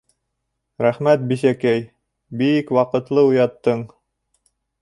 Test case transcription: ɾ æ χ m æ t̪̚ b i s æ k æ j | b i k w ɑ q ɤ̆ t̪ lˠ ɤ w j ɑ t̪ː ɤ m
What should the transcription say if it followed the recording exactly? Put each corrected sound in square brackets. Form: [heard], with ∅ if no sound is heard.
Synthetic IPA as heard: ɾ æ χ m æ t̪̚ b i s æ k æ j | b i k w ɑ q ɤ̆ t̪ lˠ ɤ [u] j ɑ t̪ː ɤ [ɴ]